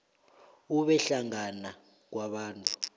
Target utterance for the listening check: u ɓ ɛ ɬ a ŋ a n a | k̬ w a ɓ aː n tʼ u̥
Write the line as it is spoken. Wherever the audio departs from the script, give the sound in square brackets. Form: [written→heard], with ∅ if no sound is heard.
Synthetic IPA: u ɓ ɛ ɬ a ŋ a n a | k̬ w a ɓ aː n tʼ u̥